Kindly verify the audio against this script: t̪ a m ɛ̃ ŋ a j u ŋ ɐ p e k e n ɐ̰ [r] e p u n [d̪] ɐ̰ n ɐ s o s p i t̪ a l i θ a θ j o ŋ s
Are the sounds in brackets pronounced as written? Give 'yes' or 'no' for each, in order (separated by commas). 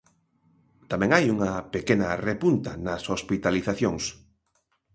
yes, no